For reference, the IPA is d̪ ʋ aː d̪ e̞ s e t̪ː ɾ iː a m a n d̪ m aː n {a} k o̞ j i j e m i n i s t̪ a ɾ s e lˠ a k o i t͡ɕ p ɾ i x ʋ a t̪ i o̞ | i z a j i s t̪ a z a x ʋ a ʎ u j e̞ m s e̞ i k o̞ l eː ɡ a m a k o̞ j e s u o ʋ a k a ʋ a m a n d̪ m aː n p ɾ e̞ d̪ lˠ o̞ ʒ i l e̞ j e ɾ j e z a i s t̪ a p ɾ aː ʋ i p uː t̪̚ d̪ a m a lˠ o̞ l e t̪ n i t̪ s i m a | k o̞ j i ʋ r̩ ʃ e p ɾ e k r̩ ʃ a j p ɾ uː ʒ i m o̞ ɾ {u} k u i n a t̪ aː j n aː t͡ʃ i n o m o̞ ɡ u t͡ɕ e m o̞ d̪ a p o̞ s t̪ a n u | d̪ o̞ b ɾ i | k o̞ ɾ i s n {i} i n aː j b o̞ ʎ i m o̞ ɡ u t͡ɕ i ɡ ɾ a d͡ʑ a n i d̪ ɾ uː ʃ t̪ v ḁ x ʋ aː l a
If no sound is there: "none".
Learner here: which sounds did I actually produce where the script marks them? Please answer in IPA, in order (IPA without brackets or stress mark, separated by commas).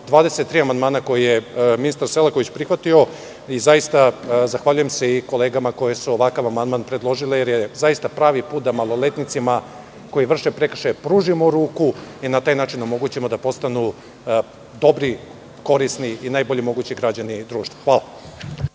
a, uː, i